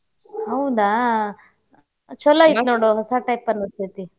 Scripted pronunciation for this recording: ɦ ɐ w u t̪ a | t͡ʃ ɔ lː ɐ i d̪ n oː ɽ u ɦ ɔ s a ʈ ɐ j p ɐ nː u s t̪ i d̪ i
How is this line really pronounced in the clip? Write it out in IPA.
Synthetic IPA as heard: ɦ ɐ w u d̪ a | t͡ʃ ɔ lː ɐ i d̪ n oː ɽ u ɦ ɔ s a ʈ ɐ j p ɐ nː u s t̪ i t̪ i